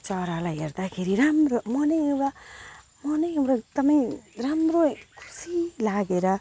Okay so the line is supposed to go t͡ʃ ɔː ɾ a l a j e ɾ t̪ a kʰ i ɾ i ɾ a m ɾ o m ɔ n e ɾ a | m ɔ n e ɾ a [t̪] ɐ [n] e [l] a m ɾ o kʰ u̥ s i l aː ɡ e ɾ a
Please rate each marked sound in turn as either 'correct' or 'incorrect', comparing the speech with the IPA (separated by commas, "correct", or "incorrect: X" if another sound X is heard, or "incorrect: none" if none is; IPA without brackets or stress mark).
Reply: correct, incorrect: m, incorrect: ɾ